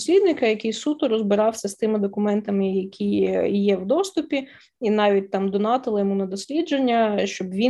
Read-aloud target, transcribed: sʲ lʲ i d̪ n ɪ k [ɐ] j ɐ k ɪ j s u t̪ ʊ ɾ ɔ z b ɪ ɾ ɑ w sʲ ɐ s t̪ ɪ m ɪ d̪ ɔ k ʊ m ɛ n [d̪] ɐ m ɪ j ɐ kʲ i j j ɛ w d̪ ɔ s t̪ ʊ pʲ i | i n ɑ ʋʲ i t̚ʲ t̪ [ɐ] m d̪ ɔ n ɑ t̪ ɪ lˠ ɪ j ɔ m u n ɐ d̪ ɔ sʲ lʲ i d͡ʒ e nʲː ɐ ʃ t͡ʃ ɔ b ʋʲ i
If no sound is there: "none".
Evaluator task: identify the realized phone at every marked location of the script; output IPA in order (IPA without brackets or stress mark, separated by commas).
ɐ, t̪, ɑ